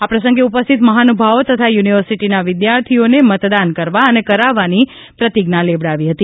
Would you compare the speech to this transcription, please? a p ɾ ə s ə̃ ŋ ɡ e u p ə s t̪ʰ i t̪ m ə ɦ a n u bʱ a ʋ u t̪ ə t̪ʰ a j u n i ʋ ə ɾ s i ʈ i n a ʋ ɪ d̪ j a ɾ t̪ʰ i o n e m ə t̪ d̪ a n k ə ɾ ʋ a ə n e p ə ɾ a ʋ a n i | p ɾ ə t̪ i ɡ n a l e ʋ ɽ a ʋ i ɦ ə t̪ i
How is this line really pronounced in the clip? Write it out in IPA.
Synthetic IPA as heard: a p ɾ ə s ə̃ ŋ ɡ e u p ə s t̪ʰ i t̪ m ə ɦ a n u bʱ a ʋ o t̪ ə t̪ʰ a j u n i ʋ ə ɾ s i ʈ i n a ʋ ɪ d̪ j a ɾ t̪ʰ i o n e m ə t̪ d̪ a n k ə ɾ ʋ a ə n e k ə ɾ a ʋ a n i | p ɾ ə t̪ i ɡ n a l e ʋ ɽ a ʋ i ɦ ə t̪ i